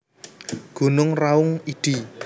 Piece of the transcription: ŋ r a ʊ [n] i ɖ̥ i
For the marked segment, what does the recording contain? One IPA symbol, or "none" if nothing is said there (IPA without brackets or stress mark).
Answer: ŋ